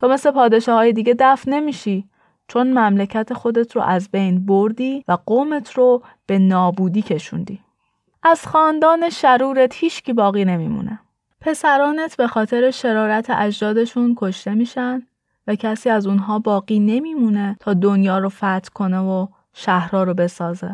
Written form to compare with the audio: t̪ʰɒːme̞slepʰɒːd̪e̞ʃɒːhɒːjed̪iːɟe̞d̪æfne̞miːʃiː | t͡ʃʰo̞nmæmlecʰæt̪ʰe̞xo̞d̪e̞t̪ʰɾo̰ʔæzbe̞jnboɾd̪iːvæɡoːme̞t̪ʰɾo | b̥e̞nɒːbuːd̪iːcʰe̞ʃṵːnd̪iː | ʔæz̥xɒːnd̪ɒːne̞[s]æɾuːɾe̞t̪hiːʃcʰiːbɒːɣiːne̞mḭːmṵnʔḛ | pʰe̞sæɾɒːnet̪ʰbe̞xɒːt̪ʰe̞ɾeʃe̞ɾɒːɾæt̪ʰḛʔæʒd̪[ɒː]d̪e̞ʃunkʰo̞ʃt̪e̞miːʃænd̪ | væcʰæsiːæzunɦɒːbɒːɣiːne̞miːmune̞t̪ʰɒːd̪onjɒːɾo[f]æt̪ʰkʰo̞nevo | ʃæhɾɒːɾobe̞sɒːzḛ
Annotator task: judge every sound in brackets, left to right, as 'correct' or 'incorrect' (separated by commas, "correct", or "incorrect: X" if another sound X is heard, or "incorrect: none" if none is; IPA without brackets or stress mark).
incorrect: ʃ, correct, correct